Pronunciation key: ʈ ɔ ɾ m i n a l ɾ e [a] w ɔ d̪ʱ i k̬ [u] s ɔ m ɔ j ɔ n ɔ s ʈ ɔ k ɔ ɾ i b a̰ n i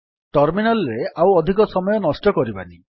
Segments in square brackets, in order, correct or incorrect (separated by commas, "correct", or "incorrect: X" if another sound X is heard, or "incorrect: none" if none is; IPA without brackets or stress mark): correct, incorrect: ɔ